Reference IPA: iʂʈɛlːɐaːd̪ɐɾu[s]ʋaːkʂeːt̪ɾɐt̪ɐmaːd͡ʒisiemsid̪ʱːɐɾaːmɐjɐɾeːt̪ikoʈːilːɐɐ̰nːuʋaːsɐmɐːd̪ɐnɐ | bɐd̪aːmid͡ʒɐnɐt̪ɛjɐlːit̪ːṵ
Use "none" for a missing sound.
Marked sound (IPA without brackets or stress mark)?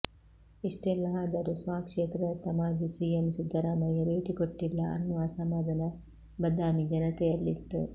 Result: s